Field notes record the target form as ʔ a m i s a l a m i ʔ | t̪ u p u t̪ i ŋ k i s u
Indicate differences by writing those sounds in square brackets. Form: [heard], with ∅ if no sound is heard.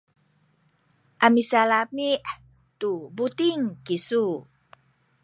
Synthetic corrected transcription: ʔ a m i s a l a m i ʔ | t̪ u [b] u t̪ i ŋ k i s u

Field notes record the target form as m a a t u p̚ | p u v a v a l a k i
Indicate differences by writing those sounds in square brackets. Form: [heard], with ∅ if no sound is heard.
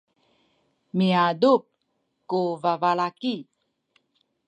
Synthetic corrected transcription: m [i] a [d] u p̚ | [k] u v a v a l a k i

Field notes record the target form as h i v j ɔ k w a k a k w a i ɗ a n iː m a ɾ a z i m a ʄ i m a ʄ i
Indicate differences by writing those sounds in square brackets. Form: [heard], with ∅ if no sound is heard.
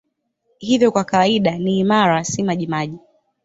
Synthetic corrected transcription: h i v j ɔ k w a k a [∅] w a i ɗ a n iː m a ɾ a [s] i m a ʄ i m a ʄ i

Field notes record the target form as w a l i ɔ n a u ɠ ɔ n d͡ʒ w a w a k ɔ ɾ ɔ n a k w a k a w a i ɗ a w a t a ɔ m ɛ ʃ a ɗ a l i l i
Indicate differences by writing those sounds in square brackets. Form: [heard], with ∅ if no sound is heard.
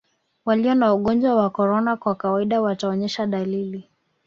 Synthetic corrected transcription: w a l i ɔ n a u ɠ ɔ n d͡ʒ w a w a k ɔ ɾ ɔ n a k w a k a w a i ɗ a w a t a ɔ [ɲ] ɛ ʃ a ɗ a l i l i

